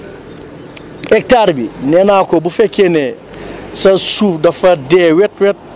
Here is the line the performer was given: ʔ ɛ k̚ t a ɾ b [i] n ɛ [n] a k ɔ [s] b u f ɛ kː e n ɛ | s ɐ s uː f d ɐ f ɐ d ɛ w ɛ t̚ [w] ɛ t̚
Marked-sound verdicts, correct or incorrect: correct, correct, incorrect: none, correct

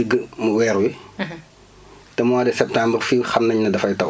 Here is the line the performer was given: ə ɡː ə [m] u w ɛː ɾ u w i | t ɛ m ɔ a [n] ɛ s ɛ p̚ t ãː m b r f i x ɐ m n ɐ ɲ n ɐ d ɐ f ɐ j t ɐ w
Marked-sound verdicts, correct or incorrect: correct, incorrect: d

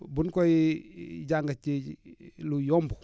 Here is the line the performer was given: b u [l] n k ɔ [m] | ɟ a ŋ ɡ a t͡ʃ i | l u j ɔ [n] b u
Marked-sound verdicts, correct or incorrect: incorrect: none, incorrect: none, incorrect: m

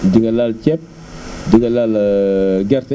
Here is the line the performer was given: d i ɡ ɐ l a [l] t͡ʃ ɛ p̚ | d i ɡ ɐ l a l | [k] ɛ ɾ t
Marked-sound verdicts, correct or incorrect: correct, incorrect: ɡ

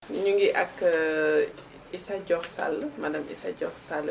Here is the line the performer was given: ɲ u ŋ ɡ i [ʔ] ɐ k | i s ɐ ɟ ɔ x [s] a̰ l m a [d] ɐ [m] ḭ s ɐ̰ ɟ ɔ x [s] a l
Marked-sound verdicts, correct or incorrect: correct, correct, correct, correct, correct

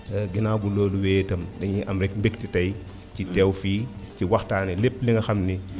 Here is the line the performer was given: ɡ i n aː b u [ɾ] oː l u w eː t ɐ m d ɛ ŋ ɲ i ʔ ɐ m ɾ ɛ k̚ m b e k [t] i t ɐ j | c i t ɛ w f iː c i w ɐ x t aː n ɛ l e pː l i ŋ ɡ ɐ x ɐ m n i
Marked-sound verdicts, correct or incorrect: incorrect: l, correct

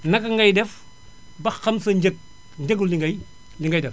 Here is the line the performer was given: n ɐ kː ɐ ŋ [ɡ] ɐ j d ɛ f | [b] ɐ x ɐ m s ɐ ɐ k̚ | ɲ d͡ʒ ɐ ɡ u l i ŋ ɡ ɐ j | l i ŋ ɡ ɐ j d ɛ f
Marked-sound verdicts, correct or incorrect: correct, correct

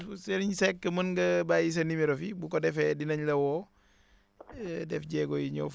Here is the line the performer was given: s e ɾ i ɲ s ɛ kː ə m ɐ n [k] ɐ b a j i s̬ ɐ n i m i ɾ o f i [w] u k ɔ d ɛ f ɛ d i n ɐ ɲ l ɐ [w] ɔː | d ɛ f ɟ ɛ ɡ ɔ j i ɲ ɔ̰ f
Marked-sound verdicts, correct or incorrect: incorrect: ɡ, incorrect: b, correct

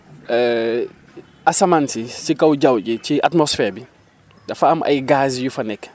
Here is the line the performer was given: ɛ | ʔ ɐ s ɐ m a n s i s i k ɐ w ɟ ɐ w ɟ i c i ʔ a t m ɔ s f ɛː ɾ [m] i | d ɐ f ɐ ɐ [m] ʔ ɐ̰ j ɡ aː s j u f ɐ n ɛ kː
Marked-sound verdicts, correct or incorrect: incorrect: b, correct

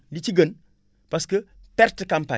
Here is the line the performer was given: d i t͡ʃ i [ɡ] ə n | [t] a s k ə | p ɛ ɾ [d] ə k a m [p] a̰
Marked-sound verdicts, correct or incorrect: correct, incorrect: p, incorrect: t, correct

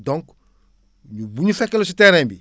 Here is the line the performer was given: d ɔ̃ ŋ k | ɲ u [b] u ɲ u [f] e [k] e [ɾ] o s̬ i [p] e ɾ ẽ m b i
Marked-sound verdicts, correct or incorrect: correct, correct, correct, incorrect: l, incorrect: t

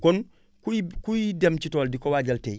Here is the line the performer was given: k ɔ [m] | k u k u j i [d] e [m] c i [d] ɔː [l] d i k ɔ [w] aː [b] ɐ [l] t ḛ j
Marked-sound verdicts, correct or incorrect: incorrect: n, correct, correct, incorrect: t, correct, correct, incorrect: ɟ, correct

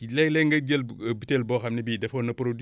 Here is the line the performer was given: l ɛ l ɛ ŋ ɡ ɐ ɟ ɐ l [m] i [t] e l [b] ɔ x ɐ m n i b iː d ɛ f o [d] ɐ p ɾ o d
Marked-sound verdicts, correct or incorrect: incorrect: b, correct, correct, incorrect: n

